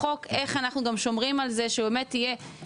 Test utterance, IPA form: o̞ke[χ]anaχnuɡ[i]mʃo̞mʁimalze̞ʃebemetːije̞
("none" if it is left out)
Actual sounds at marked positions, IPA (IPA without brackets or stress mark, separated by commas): χ, a